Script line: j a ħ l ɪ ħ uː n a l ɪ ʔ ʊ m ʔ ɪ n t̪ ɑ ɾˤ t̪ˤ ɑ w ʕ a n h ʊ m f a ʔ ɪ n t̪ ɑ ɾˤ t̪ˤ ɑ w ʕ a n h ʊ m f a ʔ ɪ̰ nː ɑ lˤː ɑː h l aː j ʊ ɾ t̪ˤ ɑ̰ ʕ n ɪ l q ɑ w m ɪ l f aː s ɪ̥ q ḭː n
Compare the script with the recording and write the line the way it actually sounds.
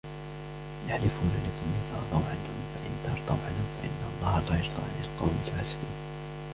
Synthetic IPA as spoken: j a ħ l ɪ f uː n a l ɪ k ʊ m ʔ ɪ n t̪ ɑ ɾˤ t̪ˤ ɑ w ʕ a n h ʊ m f a ʔ ɪ n t̪ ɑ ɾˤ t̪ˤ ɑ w ʕ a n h ʊ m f a ʔ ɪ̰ nː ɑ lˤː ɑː h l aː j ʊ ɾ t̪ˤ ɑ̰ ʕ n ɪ l q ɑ w m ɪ l f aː s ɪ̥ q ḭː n